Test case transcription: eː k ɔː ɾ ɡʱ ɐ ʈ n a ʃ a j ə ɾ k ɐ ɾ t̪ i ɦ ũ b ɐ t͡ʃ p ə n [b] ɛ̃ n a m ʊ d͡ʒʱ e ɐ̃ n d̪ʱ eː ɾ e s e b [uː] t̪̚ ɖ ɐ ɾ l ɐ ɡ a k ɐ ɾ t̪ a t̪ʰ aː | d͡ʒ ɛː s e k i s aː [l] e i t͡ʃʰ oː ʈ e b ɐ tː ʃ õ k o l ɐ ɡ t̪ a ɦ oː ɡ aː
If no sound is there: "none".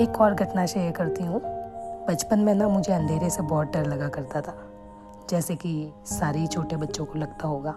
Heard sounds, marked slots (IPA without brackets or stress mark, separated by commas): m, ɔː, ɾ